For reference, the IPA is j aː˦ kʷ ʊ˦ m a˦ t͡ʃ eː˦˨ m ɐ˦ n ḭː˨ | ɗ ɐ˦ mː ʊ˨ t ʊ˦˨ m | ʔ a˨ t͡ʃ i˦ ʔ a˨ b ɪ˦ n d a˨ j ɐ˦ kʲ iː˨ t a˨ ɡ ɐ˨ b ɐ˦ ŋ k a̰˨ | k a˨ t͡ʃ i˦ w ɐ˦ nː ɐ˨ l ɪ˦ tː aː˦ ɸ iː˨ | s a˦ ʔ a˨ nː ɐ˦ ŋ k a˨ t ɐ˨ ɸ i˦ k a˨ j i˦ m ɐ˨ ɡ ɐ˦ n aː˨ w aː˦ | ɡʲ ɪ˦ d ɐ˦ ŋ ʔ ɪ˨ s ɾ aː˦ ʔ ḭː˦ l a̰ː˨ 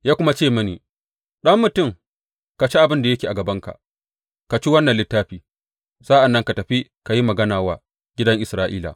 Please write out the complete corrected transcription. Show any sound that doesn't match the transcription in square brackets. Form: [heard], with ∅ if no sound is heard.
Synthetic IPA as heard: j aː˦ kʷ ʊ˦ m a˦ t͡ʃ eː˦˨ m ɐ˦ n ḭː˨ | ɗ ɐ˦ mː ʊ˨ t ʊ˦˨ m | [k] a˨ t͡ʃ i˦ ʔ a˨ b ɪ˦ n d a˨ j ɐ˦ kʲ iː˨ [ʔ] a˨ ɡ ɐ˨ b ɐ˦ ŋ k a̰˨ | k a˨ t͡ʃ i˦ w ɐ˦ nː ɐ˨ l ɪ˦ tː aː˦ ɸ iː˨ | s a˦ ʔ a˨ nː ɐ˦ ŋ k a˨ t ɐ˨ ɸ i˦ k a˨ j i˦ m ɐ˨ ɡ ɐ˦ n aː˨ w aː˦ | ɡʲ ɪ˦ d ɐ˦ ŋ ʔ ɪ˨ s ɾ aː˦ ʔ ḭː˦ l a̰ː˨